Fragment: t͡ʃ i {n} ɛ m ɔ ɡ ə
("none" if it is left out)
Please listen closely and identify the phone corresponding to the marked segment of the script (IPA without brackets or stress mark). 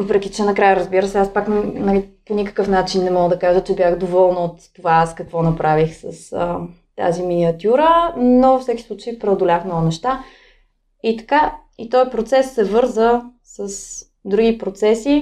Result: nː